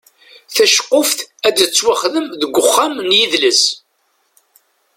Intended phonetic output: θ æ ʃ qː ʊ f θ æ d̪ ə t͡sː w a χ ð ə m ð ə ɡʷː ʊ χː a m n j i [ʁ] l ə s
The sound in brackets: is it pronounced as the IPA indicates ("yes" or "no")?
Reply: no